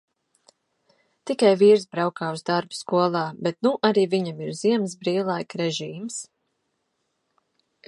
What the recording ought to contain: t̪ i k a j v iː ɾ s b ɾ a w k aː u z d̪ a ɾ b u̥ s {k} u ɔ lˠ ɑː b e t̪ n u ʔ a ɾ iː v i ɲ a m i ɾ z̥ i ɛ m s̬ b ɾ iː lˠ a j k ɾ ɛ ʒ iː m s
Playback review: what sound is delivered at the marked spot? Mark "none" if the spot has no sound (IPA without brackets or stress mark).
k